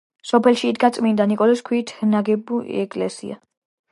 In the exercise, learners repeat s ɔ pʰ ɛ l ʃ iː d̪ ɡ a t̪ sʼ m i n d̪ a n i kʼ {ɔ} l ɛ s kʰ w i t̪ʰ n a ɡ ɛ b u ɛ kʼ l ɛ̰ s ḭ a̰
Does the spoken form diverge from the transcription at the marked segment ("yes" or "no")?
no